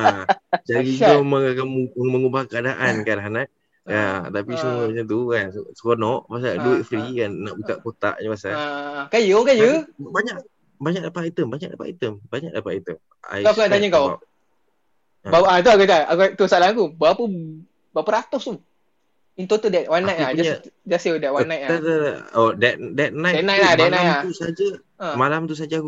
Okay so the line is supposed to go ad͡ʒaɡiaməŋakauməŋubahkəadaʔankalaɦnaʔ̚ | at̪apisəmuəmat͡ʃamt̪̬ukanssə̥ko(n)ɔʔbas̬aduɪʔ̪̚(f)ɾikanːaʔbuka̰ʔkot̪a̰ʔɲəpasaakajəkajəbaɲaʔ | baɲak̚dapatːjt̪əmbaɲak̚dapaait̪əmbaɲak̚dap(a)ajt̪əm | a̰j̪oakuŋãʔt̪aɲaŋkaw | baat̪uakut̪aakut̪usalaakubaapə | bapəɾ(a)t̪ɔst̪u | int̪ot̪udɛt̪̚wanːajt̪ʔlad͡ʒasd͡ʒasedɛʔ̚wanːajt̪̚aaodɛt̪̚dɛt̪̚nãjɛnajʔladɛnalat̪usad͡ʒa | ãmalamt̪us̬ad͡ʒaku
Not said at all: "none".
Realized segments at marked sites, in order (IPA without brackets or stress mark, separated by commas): n, f, a, a